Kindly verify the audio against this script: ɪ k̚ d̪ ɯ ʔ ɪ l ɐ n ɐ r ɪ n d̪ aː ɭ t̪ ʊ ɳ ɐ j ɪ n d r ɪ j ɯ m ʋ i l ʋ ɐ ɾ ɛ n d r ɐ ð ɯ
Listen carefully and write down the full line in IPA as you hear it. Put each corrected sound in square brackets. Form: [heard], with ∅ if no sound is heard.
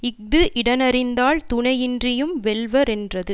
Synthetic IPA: ɪ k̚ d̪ ɯ ʔ ɪ [ɽ] ɐ n ɐ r ɪ n d̪ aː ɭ t̪ ʊ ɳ ɐ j ɪ n d r ɪ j ɯ m ʋ [ɛ] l ʋ ɐ ɾ ɛ n d r ɐ ð ɯ

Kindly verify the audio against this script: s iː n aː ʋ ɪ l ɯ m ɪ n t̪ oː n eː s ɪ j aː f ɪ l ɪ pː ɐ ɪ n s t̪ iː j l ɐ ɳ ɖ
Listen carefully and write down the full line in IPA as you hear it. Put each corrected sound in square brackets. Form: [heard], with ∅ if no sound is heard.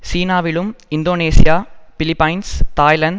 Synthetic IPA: s iː n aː ʋ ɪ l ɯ m ɪ n [d̪] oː n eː s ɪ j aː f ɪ l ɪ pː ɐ ɪ n s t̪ [aː] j l ɐ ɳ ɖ

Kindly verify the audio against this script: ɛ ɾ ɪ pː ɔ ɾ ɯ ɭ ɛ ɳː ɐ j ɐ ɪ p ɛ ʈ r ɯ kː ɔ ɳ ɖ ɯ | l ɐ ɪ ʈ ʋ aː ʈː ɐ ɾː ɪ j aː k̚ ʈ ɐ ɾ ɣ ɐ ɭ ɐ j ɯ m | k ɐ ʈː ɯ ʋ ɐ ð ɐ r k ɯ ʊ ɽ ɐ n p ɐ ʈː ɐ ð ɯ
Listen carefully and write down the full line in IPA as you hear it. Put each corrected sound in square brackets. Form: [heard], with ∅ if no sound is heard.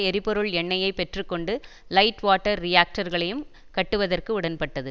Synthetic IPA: ɛ ɾ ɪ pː ɔ ɾ ɯ ɭ ɛ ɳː ɐ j ɐ ɪ p ɛ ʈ r ɯ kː ɔ ɳ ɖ ɯ | l ɐ ɪ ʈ ʋ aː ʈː ɐ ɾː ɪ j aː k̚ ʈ ɐ ɾ ɣ ɐ ɭ ɐ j ɯ m | k ɐ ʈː ɯ ʋ ɐ ð ɐ r k ɯ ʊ ɽ ɐ n p ɐ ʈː ɐ ð ɯ

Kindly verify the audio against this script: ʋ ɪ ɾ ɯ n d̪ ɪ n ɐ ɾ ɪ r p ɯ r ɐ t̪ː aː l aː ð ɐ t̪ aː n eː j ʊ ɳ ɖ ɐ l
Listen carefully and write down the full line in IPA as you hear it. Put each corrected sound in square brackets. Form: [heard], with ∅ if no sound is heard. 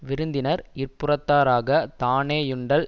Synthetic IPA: ʋ ɪ ɾ ɯ n d̪ ɪ n ɐ ɾ ɪ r p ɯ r ɐ t̪ː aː [ɾ] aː [ɣ] ɐ t̪ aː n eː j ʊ ɳ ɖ ɐ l

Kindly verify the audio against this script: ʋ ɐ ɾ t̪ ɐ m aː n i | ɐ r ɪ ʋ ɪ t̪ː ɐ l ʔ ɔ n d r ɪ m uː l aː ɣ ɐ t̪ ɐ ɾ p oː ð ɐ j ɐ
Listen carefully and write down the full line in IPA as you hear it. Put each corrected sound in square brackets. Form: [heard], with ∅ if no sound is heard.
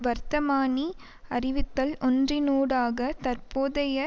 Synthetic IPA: ʋ ɐ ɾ t̪ ɐ m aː n i | ɐ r ɪ ʋ ɪ t̪ː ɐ l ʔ ɔ n d r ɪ [n] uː [ɽ] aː ɣ ɐ t̪ ɐ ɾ p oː ð ɐ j ɐ

